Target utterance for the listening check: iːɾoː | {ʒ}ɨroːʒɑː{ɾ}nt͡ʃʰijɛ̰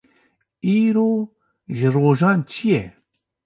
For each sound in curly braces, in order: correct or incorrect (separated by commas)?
correct, incorrect